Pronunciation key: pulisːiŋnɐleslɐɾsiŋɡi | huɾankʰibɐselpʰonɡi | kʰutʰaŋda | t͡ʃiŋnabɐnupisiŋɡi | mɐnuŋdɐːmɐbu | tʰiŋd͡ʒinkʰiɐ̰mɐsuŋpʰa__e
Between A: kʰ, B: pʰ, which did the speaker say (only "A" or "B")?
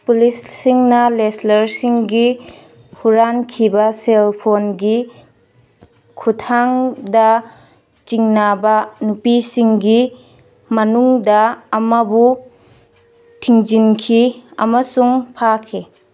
A